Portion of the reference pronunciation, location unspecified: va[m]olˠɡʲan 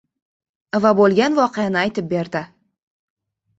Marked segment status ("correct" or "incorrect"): incorrect